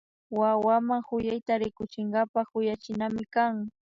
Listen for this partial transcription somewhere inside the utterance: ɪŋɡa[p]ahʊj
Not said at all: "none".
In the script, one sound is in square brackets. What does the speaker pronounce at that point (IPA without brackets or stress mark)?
p